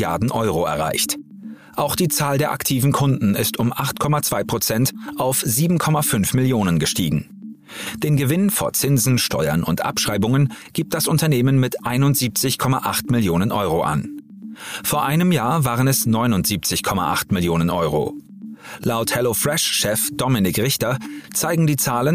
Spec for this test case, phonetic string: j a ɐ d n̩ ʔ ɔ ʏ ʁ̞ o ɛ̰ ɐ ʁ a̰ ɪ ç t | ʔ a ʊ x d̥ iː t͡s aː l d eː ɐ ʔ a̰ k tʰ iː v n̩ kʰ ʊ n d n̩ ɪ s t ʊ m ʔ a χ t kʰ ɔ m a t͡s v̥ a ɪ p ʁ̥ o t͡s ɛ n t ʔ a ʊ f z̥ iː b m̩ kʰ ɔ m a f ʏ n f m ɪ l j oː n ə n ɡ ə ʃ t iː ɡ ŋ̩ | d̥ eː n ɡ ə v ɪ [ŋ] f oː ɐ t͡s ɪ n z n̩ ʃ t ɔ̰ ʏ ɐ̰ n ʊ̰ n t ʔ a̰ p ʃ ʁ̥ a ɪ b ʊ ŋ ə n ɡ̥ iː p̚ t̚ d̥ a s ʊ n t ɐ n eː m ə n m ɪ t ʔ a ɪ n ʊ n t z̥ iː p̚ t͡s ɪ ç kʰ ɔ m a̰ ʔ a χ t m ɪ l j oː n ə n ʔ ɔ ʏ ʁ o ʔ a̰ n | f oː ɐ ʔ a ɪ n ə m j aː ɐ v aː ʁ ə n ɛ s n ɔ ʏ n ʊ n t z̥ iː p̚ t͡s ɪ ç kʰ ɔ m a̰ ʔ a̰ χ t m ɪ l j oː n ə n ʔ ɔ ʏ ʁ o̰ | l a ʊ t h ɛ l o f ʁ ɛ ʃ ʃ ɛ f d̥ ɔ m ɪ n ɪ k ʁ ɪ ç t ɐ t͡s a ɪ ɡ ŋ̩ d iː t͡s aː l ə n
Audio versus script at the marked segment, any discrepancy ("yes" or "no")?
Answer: yes